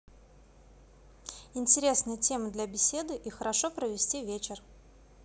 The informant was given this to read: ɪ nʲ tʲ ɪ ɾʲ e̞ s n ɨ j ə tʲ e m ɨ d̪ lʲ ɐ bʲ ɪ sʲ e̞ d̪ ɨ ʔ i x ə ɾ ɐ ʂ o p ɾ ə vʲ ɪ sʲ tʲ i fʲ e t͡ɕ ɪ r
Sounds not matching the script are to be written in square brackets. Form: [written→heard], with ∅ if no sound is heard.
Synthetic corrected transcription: ɪ nʲ tʲ ɪ ɾʲ e̞ s n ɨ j ə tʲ e m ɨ d̪ lʲ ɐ bʲ ɪ sʲ e̞ d̪ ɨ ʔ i x ə ɾ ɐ ʂ o p ɾ ə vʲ ɪ sʲ tʲ i [fʲ→vʲ] e t͡ɕ ɪ r